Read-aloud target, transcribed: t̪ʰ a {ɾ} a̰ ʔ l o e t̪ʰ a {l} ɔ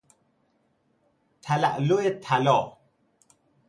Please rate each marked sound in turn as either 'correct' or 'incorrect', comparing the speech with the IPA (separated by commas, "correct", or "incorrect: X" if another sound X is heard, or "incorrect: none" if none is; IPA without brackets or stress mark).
incorrect: l, correct